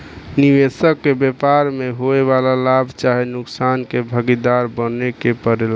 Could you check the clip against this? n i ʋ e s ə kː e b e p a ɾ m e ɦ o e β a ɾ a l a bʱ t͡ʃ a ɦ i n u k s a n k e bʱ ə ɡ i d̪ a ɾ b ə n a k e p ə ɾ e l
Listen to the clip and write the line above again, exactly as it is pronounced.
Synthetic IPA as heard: n i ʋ e s ə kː e b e p a ɾ m e ɦ o e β a l a l a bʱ t͡ʃ a ɦ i n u k s a n k e bʱ ə ɡ i d̪ a ɾ b ə n e k e p ə ɾ e l